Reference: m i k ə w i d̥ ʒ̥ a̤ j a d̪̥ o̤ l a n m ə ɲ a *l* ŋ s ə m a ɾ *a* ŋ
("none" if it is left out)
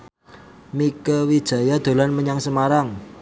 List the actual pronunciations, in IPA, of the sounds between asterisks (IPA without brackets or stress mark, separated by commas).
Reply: none, a